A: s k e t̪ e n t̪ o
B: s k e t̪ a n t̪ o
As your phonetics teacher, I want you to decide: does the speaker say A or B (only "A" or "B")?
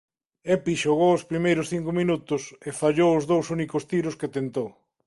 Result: A